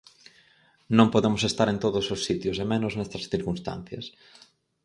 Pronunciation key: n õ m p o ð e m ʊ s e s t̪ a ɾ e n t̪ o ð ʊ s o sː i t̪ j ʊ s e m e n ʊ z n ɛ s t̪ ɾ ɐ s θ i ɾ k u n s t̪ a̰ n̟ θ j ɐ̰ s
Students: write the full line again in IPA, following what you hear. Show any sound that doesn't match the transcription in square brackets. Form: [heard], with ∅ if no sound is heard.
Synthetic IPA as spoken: n õ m p o ð e m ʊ s e s t̪ a ɾ e n t̪ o ð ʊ s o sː i t̪ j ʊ s e m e n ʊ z n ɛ s t̪ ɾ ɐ s θ i ɾ k u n s t̪ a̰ n̟ θ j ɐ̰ s